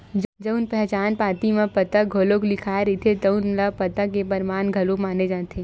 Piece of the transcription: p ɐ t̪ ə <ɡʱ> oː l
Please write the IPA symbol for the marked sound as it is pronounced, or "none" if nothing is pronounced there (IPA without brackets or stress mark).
ɡʱ